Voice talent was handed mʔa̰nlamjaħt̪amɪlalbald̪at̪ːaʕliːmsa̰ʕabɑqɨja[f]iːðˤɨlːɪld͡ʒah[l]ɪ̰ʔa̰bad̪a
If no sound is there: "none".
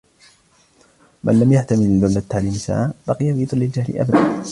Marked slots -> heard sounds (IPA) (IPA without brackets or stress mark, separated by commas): f, l